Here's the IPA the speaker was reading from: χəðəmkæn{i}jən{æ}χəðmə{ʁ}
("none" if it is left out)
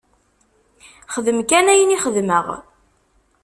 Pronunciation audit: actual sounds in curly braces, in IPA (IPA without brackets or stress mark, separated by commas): æ, i, ʁ